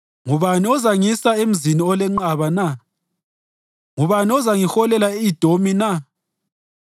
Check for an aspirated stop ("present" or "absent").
absent